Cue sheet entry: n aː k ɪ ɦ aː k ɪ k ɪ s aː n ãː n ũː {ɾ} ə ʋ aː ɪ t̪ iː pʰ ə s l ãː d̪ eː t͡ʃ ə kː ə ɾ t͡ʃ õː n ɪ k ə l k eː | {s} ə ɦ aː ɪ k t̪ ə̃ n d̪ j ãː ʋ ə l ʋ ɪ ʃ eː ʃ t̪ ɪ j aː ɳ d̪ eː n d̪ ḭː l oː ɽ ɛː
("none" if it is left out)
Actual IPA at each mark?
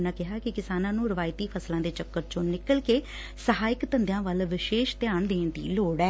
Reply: ɾ, s

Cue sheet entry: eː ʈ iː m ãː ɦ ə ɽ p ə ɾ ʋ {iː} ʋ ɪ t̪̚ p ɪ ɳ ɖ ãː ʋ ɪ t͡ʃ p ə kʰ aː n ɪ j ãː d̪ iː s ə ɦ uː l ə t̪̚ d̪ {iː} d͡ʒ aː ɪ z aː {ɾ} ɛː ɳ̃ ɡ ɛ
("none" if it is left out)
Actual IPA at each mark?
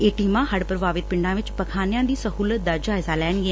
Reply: aː, aː, l

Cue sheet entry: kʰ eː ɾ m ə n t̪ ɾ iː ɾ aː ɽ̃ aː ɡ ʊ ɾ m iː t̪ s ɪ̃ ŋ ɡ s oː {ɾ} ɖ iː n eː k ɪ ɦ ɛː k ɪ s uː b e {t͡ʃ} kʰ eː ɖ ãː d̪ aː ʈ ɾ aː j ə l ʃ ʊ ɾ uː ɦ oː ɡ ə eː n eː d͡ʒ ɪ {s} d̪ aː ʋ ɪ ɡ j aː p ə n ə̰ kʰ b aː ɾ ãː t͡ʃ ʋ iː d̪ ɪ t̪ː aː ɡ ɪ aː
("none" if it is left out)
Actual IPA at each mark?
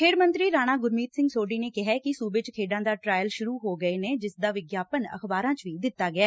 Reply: none, t͡ʃ, s

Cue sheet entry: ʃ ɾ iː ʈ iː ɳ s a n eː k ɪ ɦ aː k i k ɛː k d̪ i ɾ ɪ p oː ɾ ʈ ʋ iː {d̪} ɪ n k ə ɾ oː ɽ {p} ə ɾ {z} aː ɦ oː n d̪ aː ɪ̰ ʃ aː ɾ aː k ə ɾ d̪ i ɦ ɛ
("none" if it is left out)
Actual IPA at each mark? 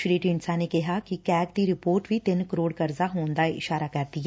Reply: t̪, k, z

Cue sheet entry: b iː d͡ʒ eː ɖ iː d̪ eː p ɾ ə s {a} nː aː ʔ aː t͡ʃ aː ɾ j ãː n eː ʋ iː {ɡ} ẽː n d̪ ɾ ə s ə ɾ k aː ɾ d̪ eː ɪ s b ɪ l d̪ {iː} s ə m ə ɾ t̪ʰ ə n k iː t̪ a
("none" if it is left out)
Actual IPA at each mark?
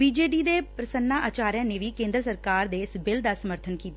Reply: ə, k, aː

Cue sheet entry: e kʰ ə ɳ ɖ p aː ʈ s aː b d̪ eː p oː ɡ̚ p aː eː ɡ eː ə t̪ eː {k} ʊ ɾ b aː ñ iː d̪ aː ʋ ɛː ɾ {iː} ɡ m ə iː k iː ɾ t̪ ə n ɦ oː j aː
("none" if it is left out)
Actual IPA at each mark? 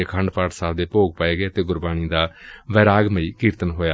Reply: ɡ, aː

